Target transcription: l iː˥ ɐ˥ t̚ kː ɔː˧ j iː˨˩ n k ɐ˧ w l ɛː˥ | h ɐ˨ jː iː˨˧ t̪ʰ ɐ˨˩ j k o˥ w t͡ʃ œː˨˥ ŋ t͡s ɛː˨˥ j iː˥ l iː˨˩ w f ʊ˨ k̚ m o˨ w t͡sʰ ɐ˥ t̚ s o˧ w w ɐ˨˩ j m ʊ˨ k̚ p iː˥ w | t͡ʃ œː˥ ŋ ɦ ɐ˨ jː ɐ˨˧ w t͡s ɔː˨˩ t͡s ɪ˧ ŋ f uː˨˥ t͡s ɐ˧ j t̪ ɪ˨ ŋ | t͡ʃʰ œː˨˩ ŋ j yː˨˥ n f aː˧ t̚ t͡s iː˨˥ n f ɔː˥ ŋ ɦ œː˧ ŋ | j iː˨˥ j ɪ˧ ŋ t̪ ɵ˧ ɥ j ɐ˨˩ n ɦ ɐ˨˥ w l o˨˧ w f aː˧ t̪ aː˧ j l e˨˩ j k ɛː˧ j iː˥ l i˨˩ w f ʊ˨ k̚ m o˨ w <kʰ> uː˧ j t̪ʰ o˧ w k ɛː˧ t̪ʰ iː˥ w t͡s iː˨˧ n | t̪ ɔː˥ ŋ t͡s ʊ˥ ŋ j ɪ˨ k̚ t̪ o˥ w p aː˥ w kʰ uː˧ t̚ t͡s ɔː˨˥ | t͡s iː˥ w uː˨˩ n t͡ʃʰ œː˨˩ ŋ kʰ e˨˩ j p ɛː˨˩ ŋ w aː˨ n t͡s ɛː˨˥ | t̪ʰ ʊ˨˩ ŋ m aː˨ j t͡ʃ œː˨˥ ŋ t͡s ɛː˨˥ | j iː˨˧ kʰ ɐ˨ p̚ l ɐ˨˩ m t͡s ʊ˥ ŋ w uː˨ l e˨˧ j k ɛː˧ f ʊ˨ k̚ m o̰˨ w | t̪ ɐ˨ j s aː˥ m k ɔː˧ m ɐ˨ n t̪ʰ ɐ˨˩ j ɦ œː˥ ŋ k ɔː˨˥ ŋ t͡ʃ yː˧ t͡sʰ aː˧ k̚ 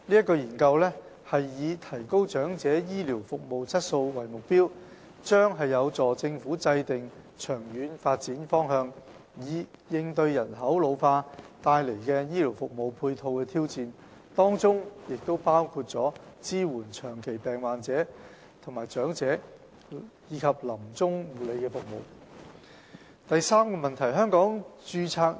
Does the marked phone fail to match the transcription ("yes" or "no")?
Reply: yes